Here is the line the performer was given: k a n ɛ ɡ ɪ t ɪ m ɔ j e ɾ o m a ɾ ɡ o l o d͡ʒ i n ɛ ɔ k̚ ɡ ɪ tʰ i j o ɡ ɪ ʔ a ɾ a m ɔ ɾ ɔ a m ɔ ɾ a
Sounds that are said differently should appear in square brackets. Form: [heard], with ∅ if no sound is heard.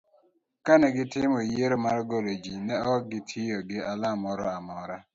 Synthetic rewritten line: k a n ɛ ɡ ɪ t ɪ m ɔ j e ɾ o m a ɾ ɡ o l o d͡ʒ i n ɛ ɔ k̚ ɡ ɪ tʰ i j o ɡ ɪ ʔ a [l] a m ɔ ɾ ɔ a m ɔ ɾ a